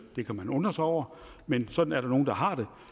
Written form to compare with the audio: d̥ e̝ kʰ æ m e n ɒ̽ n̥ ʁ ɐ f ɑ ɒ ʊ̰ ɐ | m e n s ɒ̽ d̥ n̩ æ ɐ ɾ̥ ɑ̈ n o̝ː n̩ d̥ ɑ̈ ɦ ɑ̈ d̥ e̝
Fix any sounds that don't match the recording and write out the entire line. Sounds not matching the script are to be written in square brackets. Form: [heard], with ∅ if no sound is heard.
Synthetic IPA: d̥ e̝ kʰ æ m [æ] n [ɔ̽] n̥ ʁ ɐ [s] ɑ ɒ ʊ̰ ɐ | m e n s ɒ̽ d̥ n̩ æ ɐ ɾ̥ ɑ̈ n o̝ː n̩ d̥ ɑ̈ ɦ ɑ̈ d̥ e̝